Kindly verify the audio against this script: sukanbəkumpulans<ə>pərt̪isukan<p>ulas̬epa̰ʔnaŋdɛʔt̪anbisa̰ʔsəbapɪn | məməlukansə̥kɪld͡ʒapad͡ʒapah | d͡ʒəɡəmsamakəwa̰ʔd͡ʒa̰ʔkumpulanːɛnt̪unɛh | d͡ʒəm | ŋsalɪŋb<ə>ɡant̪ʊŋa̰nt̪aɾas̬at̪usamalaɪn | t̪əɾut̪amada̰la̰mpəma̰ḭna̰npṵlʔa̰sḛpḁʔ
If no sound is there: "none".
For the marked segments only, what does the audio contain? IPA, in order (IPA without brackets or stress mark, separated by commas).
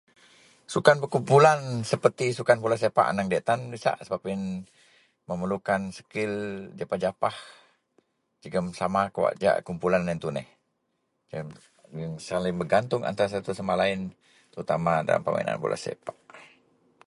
ə, p, ə